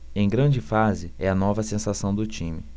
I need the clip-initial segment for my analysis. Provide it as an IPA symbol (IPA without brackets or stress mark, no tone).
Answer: ẽ